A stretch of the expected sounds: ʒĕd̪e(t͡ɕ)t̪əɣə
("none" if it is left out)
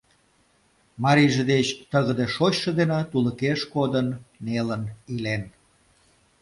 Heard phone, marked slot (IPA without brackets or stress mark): t͡ɕ